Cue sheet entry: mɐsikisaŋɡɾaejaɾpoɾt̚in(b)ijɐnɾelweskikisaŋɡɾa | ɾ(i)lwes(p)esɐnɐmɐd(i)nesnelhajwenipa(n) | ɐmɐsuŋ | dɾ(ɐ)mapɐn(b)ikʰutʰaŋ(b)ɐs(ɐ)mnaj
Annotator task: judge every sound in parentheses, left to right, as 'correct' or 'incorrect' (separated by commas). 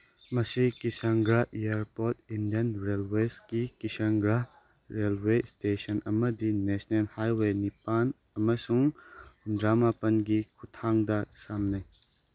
incorrect, incorrect, incorrect, correct, correct, incorrect, incorrect, incorrect, incorrect